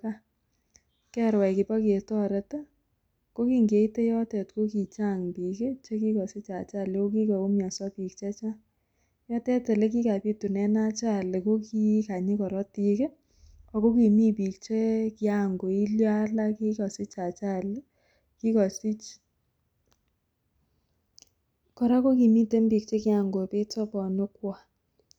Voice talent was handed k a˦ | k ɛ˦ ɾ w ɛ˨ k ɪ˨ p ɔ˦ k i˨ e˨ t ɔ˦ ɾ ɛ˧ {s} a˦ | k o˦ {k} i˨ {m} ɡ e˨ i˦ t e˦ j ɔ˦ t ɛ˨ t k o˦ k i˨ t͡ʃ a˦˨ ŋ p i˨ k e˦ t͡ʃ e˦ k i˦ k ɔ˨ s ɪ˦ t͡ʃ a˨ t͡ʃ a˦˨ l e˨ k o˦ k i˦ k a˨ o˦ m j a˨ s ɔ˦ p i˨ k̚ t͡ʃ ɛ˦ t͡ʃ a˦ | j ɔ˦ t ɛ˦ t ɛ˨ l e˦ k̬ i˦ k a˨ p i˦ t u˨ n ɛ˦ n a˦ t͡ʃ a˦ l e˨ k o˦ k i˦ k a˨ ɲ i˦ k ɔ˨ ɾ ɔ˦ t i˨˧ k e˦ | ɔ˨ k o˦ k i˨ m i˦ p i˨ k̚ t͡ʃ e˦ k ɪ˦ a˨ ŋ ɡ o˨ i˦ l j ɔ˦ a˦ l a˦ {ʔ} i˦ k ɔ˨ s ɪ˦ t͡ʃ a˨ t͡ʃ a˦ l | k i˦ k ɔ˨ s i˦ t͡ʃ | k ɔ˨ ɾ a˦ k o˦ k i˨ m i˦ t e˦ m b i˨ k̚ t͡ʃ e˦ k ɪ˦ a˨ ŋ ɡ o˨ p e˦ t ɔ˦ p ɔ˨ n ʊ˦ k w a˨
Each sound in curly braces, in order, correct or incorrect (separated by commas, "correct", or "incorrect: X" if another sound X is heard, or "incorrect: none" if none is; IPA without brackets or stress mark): incorrect: t, correct, incorrect: ŋ, incorrect: k